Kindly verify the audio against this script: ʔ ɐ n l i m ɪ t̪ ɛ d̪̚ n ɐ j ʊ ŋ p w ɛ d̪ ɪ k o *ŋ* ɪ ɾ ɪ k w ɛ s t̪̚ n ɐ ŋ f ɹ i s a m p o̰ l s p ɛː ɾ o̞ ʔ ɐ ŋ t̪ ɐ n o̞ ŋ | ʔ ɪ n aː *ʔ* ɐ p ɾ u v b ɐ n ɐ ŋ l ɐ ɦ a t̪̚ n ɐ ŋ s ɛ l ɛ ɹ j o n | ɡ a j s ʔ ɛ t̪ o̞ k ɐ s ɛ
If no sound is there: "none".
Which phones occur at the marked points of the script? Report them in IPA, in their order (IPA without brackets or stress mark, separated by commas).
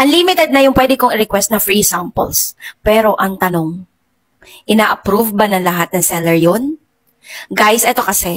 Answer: ŋ, ʔ